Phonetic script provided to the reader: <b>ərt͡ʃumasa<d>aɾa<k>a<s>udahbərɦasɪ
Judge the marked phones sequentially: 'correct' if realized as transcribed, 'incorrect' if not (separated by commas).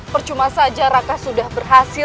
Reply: incorrect, incorrect, correct, correct